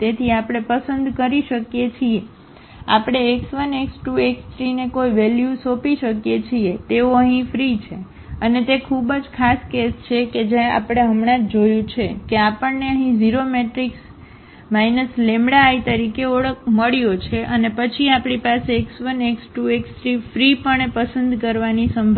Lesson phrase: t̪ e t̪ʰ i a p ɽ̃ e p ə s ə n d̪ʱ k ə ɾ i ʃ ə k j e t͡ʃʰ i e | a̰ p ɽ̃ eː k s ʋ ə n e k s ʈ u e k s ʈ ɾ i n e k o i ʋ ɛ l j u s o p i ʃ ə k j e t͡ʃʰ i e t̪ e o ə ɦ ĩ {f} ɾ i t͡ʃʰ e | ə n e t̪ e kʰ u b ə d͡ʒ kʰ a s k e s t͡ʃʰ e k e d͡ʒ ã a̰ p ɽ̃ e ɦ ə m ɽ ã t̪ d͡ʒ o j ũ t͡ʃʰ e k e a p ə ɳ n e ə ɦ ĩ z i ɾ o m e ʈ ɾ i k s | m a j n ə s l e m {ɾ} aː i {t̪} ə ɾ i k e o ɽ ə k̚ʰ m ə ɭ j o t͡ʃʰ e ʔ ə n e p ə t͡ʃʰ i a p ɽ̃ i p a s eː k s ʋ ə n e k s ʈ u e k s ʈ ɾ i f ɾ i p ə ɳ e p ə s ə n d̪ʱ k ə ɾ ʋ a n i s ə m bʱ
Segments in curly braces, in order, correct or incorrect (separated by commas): correct, incorrect, correct